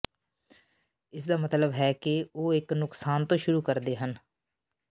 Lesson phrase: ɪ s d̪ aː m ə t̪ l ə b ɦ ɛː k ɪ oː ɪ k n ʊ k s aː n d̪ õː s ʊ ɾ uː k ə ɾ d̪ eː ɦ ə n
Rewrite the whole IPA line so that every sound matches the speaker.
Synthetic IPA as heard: ɪ s d̪ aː m ə t̪ l ə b ɦ ɛː k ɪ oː ɪ k n ʊ k s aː n t̪ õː ʃ ʊ ɾ uː k ə ɾ d̪ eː ɦ ə n

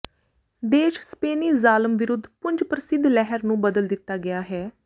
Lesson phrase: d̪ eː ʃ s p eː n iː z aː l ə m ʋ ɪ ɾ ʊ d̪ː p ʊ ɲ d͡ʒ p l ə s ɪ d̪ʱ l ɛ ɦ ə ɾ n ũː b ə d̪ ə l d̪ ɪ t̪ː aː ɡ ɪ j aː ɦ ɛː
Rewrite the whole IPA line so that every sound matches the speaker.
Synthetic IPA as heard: d̪ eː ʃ s p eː n iː z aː l ə m ʋ ɪ ɾ ʊ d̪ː p ʊ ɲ d͡ʒ p ɾ ə s ɪ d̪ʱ l ɛ ɦ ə ɾ n ũː b ə d̪ ə l d̪ ɪ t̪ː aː ɡ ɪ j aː ɦ ɛː

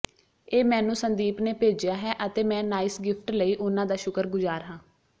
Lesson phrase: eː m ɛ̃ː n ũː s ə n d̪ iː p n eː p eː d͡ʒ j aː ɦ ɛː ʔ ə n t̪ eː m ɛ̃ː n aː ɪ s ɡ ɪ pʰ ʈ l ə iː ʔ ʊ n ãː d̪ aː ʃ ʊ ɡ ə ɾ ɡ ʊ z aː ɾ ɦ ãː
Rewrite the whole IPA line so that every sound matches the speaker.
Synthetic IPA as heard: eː m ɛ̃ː n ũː s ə n d̪ iː p n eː p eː d͡ʒ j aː ɦ ɛː ʔ ə t̪ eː m ɛ̃ː n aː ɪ s ɡ ɪ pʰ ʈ l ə iː ʔ ʊ n ãː d̪ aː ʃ ʊ k ə ɾ ɡ ʊ z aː ɾ ɦ ãː

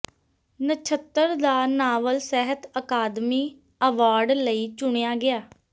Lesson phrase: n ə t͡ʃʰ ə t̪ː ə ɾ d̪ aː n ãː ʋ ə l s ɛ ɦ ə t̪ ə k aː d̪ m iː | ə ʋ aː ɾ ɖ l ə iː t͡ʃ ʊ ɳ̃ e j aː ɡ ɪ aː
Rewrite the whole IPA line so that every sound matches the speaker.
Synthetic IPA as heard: n ə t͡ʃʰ ə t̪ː ə ɾ d̪ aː n aː ʋ ə l s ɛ ɦ ə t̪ ə k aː d̪ m iː | ə ʋ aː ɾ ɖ l ə iː t͡ʃ ʊ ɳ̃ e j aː ɡ ɪ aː

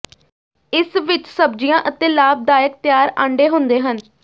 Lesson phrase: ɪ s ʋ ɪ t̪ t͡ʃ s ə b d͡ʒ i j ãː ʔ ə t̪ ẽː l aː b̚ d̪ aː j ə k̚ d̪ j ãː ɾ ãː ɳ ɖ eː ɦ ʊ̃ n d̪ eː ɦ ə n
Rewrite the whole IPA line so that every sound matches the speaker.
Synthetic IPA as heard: ɪ s ʋ ɪ t͡ʃ s ə b d͡ʒ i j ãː ʔ ə t̪ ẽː l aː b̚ d̪ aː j ə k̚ t̪ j aː ɾ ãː ɳ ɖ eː ɦ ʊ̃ n d̪ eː ɦ ə n

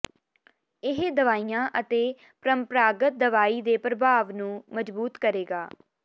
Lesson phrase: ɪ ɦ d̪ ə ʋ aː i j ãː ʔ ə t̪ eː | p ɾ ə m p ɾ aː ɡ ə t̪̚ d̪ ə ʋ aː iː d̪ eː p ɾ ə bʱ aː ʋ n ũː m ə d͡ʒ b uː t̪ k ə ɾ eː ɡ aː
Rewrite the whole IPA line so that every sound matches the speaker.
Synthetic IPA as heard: ɪ ɦ d̪ ə ʋ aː i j ãː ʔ ə t̪ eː | p ɾ ə m p ɾ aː ɡ ə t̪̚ d̪ ə ʋ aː iː d̪ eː p ɾ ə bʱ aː ʋ n ũː m ə d͡ʒ b uː t̪ k ə ɾ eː ɡ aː

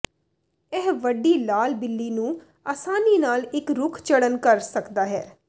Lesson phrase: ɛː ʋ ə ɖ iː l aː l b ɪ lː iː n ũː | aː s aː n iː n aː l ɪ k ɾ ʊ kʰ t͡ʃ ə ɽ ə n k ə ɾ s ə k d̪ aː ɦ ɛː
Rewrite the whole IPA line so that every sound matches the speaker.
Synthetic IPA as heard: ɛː ʋ ə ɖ iː l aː l b ɪ lː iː n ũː | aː s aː n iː n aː l ɪ k ɾ ʊ kʰ t͡ʃ ə ɽ ə n k ə ɾ s ə k d̪ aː ɦ ɛː

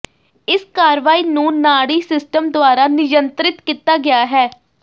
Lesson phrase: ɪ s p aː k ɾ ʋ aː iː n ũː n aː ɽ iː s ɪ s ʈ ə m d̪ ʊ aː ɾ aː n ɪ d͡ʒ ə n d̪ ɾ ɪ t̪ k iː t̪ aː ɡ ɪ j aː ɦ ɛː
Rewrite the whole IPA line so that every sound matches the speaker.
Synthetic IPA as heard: ɪ s k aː ɾ ʋ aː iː n ũː n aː ɽ iː s ɪ s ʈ ə m d̪ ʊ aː ɾ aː n ɪ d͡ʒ ə n t̪ ɾ ɪ t̪ k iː t̪ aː ɡ ɪ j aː ɦ ɛː

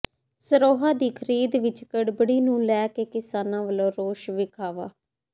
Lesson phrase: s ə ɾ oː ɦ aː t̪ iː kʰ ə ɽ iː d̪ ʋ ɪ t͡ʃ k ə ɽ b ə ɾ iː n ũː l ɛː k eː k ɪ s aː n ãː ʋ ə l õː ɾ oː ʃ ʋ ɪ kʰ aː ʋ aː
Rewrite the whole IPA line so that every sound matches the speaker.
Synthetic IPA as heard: s ə ɾ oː ɦ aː d̪ iː kʰ ə ɾ iː d̪ ʋ ɪ t͡ʃ k ə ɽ b ə ɽ iː n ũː l ɛː k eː k ɪ s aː n ãː ʋ ə l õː ɾ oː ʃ ʋ ɪ kʰ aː ʋ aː

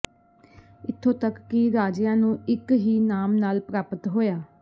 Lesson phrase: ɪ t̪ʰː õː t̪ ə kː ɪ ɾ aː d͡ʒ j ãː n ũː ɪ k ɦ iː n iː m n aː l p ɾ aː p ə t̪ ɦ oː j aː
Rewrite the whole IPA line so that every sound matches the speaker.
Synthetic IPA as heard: ɪ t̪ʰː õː t̪ ə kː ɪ ɾ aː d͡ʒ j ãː n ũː ɪ k ɦ iː n aː m n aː l p ɾ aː p ə t̪ ɦ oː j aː

